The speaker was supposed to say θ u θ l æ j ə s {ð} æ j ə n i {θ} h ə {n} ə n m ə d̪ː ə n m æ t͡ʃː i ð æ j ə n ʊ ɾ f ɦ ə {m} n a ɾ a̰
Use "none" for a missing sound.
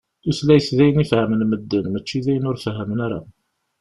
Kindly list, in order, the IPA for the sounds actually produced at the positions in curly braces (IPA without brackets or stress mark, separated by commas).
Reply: ð, f, m, m